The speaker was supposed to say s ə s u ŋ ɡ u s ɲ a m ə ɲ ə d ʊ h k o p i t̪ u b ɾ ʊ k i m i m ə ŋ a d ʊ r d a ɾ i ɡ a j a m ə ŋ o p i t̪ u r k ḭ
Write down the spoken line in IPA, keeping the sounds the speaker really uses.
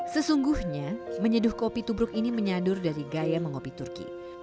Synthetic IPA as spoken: s ə s u ŋ ɡ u h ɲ a m ə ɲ ə d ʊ h k o p i t̪ u b ɾ ʊ k i n i m ə ɲ a d ʊ r d a ɾ i ɡ a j a m ə ŋ o p i t̪ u r k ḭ